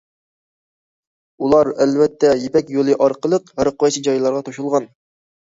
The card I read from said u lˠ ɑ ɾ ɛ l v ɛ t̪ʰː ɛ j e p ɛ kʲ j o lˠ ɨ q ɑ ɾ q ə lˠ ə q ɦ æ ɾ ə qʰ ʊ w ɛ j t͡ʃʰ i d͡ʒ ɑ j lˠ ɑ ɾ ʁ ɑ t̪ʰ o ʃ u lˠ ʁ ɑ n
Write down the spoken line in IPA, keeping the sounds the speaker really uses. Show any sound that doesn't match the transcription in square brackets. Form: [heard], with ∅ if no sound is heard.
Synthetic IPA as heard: u lˠ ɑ ɾ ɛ l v ɛ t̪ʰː ɛ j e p ɛ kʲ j o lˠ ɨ [ʔ] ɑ ɾ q ə lˠ ə q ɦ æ ɾ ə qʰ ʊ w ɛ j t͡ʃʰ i d͡ʒ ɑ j lˠ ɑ ɾ ʁ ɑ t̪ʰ o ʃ u lˠ ʁ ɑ n